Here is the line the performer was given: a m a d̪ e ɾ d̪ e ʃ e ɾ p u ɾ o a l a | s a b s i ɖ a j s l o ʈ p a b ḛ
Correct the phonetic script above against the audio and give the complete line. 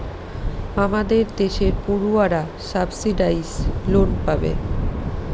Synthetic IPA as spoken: a m a d̪ e ɾ d̪ e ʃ e ɾ p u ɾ u a ɾ a | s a b s i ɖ a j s l o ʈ p a b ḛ